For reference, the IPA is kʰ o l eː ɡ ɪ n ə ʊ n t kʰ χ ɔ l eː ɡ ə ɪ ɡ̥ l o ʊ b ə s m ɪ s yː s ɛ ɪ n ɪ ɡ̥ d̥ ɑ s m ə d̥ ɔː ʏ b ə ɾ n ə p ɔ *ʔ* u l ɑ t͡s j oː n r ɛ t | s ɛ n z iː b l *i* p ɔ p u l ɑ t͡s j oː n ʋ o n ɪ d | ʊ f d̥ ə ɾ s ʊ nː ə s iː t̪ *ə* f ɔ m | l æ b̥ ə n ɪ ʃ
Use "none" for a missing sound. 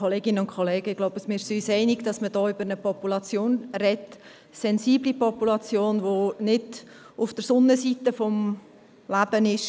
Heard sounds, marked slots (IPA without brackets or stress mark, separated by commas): p, i, ə